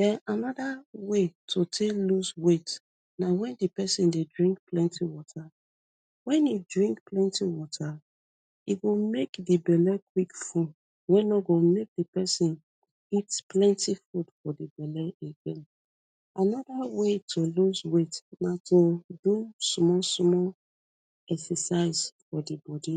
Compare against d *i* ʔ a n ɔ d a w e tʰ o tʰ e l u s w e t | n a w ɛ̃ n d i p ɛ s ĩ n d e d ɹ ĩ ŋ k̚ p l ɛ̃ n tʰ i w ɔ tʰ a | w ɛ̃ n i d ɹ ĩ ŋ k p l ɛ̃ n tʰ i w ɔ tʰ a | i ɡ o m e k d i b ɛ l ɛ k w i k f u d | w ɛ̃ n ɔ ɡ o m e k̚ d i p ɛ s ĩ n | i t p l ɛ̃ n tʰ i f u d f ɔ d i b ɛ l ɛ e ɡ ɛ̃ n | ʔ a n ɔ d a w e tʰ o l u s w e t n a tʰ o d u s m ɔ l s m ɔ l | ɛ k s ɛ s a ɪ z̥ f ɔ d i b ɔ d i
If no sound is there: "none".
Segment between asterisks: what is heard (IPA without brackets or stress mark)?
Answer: ɛ